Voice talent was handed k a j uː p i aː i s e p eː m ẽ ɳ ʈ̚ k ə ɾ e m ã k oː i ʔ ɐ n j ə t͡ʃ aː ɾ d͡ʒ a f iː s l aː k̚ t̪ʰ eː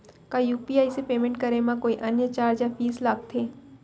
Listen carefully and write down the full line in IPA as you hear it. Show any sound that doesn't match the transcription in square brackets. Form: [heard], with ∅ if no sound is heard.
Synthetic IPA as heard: k a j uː p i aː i s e p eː m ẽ ɳ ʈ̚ k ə ɾ e m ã k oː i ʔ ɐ n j ə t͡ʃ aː ɾ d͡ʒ a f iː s l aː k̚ t̪ʰ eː